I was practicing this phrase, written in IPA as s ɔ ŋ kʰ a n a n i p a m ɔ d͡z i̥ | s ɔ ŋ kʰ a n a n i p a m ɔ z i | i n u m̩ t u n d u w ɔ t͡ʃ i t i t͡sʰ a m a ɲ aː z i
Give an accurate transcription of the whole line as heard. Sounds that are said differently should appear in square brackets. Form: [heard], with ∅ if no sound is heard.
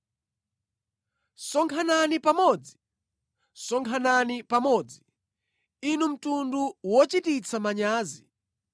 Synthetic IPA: s ɔ ŋ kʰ a n a n i p a m ɔ d͡z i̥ | s ɔ ŋ kʰ a n a n i p a m ɔ [d͡z] i | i n u m̩ t u n d u w ɔ t͡ʃ i t i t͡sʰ a m a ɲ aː z i